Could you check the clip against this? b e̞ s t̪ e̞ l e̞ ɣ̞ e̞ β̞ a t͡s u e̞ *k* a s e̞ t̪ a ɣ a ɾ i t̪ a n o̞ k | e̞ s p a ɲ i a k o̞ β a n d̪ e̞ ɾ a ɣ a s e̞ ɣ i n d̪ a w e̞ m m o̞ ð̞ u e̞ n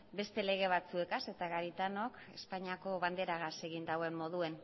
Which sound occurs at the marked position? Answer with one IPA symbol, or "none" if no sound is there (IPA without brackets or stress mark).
k